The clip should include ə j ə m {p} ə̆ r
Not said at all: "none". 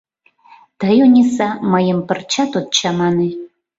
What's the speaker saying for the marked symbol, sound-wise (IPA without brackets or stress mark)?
p